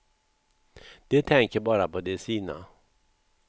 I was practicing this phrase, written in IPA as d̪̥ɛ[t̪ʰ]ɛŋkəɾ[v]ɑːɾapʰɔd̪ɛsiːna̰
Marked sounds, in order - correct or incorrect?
correct, incorrect

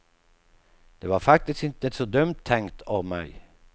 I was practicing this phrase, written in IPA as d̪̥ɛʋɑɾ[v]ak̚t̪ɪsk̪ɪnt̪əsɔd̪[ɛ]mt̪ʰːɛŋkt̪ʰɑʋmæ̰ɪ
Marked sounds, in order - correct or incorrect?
incorrect, incorrect

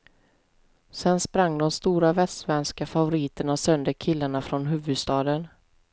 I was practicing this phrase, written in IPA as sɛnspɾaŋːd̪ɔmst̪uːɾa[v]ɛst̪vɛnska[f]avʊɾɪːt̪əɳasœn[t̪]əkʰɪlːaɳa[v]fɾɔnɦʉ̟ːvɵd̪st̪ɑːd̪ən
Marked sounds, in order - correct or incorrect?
correct, correct, incorrect, incorrect

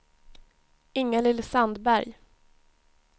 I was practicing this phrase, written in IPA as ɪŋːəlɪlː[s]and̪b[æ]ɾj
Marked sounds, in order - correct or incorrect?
correct, correct

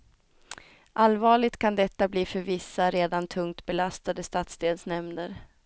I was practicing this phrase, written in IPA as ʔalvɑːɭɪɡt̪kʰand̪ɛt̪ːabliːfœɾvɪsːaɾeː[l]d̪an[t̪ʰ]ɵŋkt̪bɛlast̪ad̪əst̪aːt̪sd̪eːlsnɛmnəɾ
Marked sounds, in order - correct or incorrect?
incorrect, correct

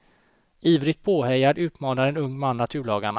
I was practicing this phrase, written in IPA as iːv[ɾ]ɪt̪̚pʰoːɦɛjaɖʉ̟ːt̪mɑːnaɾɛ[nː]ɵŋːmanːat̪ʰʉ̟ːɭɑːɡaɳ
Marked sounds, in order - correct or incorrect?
correct, incorrect

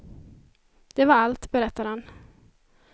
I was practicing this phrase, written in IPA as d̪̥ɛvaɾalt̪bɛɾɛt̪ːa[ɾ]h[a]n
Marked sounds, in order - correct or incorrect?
correct, correct

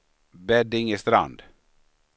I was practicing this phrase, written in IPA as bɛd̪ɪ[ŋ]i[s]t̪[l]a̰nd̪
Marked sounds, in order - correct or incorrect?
correct, correct, incorrect

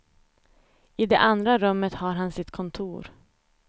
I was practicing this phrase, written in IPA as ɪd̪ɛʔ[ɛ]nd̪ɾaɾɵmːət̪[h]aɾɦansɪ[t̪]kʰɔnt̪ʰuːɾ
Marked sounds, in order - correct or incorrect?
incorrect, correct, correct

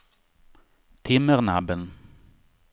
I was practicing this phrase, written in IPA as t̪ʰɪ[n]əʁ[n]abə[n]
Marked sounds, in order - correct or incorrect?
incorrect, correct, correct

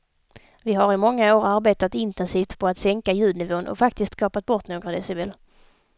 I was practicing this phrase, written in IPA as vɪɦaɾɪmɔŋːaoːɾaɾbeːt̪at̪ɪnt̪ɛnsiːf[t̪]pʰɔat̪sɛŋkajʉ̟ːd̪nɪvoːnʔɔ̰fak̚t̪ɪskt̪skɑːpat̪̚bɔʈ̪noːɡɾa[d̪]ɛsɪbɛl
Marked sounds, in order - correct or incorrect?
correct, correct

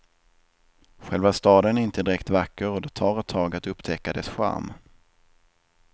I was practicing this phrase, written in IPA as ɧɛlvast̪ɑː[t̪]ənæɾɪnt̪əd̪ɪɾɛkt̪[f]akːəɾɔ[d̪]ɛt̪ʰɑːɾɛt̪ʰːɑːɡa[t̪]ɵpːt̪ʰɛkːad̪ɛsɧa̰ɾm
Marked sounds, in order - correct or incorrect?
incorrect, incorrect, correct, correct

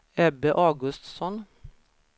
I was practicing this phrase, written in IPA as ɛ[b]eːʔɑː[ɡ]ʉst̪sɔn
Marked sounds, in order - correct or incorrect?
correct, correct

